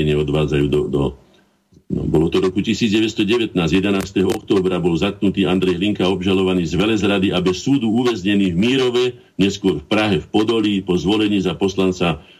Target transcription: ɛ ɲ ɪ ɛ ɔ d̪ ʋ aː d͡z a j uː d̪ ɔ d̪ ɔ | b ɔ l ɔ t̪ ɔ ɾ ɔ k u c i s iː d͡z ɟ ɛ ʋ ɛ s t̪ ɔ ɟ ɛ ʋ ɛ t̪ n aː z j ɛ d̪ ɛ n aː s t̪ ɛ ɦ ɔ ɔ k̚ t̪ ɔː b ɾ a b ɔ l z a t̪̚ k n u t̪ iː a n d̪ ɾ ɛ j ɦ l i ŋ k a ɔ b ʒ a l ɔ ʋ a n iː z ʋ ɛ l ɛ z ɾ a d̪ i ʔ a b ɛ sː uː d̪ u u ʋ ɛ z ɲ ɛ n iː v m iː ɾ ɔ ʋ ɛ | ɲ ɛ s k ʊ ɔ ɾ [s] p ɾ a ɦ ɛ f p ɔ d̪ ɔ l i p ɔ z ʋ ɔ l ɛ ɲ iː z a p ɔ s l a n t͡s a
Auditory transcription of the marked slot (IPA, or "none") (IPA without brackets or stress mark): f